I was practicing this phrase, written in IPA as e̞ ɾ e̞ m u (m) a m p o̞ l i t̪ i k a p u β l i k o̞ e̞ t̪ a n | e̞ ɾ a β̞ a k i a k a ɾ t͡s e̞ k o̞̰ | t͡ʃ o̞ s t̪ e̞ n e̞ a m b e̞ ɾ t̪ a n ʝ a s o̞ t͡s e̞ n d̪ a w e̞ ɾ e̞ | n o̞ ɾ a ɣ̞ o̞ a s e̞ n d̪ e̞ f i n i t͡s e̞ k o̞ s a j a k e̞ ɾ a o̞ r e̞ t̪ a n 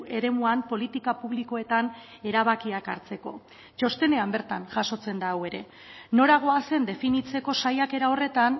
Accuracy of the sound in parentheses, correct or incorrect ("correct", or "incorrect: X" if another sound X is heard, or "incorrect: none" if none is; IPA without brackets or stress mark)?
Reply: incorrect: none